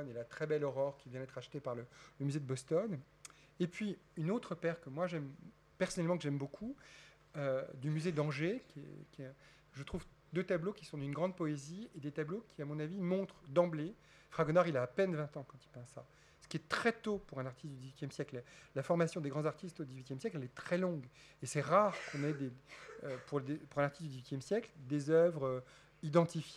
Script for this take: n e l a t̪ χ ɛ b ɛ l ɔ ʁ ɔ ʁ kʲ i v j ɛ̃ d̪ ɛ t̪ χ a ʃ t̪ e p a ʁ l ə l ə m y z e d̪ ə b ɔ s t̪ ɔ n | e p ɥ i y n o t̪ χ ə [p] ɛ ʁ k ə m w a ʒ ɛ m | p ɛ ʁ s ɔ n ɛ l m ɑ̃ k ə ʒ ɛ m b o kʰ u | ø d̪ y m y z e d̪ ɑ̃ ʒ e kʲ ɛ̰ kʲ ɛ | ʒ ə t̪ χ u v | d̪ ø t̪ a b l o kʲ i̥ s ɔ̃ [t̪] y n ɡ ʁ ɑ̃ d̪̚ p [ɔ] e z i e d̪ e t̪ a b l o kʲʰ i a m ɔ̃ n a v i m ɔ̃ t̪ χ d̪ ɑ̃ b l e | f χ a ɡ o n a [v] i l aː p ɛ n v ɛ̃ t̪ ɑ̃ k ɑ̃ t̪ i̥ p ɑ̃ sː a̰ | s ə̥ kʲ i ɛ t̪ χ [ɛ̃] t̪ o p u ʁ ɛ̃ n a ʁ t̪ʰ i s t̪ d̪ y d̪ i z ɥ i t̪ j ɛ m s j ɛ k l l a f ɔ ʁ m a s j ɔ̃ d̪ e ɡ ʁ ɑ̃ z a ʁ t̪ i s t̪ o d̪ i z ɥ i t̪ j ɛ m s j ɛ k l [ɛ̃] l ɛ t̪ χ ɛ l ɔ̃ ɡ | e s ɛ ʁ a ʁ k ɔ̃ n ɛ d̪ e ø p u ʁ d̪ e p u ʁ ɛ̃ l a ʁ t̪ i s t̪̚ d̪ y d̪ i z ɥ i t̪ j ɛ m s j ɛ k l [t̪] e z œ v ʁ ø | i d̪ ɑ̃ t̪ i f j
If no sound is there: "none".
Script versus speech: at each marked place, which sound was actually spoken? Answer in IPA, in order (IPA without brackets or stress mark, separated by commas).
p, d̪, ɔ, ʁ, ɛ, ɛ, d̪